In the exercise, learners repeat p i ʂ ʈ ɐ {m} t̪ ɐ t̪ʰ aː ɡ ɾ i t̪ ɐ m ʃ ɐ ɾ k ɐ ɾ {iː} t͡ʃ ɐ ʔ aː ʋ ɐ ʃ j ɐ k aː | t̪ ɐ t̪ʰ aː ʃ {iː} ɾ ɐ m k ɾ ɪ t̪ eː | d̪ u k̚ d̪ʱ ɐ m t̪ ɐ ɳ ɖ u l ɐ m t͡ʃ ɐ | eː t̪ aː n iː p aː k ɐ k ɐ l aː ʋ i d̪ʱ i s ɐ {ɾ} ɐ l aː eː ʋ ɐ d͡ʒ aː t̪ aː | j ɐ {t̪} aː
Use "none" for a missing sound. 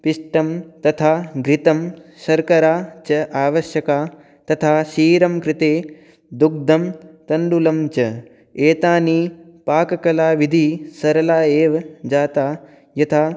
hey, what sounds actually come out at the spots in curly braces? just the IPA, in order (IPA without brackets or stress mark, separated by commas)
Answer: m, aː, iː, ɾ, t̪ʰ